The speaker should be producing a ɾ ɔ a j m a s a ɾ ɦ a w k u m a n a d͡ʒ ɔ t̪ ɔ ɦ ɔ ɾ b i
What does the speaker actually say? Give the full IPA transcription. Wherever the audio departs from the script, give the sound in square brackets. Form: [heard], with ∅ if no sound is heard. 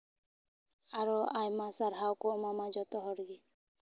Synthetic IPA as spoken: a ɾ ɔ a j m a s a ɾ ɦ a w k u m a [m] a d͡ʒ ɔ t̪ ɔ ɦ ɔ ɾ [ɡ] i